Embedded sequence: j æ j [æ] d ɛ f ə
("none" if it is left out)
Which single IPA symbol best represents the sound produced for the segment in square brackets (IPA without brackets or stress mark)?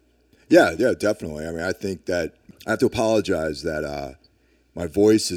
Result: æ